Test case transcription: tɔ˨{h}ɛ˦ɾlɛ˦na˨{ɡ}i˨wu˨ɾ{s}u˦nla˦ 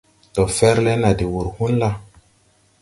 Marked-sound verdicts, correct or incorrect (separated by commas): incorrect, incorrect, incorrect